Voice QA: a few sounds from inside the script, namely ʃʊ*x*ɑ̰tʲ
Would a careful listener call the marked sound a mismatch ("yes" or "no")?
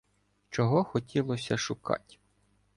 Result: yes